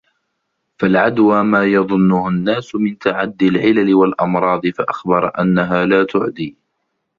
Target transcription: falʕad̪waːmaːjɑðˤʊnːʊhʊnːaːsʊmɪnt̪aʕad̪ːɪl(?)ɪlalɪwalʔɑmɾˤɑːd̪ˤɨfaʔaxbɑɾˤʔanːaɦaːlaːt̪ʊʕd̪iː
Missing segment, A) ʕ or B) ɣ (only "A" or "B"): A